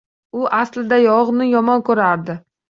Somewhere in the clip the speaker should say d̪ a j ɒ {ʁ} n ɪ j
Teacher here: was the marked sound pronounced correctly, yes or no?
yes